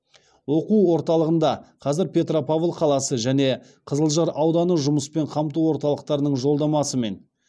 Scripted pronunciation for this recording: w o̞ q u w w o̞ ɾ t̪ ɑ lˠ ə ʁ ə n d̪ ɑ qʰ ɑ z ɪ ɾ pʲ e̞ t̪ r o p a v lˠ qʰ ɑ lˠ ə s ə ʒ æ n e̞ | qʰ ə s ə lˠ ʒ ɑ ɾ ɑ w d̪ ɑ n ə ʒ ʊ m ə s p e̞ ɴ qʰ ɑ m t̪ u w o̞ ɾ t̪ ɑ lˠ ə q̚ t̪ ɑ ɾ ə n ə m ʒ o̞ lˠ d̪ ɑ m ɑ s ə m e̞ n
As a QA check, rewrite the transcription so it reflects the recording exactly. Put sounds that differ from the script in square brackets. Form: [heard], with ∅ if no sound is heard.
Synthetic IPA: w o̞ q u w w o̞ ɾ t̪ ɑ lˠ ə ʁ ə n d̪ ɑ qʰ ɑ z ɪ ɾ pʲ e̞ t̪ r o p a v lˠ qʰ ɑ lˠ [ɑ] s ə ʒ æ n e̞ | qʰ ə [z] ə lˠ ʒ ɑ ɾ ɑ w d̪ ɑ n ə ʒ ʊ m ə s p e̞ ɴ qʰ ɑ m t̪ u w o̞ ɾ t̪ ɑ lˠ ə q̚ t̪ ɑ ɾ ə n ə [ɴ] ʒ o̞ lˠ d̪ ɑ m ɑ s ə m e̞ n